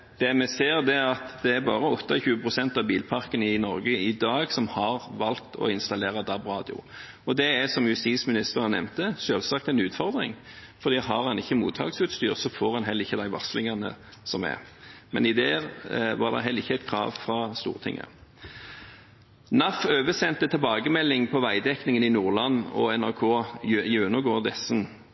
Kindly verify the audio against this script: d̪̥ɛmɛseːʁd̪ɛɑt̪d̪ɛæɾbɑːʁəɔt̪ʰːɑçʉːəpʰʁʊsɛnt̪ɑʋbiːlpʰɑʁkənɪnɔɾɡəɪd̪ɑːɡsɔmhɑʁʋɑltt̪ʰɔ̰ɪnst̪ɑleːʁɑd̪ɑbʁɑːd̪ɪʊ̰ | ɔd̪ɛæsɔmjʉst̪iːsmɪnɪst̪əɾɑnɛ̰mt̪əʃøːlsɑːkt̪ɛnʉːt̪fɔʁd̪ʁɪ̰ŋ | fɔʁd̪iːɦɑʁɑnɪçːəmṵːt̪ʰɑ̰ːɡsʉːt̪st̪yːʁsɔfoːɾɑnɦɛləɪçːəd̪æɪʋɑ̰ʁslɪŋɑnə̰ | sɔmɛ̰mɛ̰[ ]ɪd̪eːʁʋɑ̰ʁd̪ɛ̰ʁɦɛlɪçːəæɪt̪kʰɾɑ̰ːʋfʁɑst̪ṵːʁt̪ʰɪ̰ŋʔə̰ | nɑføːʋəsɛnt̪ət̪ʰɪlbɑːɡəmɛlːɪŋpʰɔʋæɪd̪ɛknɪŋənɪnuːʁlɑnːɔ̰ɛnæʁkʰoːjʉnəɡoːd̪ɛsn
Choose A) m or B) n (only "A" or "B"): B